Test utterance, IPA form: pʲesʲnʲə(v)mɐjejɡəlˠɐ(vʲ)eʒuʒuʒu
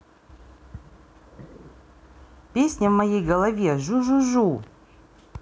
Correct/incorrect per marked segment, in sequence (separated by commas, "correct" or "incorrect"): correct, correct